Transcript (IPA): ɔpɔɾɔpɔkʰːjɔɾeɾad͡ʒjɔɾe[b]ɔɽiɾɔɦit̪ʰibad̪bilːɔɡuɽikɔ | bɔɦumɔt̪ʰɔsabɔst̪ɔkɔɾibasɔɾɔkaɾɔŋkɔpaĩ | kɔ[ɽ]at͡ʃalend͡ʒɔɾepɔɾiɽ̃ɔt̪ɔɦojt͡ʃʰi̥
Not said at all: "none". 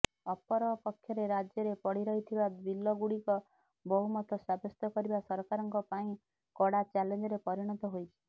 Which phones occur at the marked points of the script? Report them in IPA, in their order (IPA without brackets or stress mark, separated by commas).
p, ɽ